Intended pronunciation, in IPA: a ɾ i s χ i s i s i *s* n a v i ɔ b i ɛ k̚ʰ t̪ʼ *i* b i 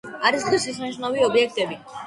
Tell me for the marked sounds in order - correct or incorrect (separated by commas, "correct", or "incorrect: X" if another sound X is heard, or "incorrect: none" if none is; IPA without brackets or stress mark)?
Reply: incorrect: ʃ, incorrect: ɛ